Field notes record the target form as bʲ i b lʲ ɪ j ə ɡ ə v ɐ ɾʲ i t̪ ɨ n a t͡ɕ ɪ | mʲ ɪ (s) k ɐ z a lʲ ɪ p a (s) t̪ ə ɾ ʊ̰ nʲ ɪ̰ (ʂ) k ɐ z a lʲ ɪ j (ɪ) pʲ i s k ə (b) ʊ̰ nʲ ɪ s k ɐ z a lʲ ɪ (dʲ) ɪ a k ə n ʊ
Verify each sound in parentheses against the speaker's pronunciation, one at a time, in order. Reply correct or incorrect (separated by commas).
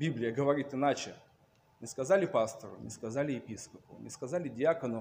correct, correct, incorrect, correct, incorrect, correct